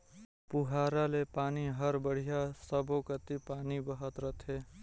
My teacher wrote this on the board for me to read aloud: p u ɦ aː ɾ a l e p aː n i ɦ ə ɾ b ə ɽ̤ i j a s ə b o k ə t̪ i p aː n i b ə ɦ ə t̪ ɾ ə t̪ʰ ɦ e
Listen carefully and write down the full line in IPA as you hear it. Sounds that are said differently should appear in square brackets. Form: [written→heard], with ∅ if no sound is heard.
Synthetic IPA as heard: p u ɦ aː ɾ a l e p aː n i ɦ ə ɾ b ə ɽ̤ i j a s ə b o k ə t̪ i p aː n i b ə ɦ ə t̪ ɾ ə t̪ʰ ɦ e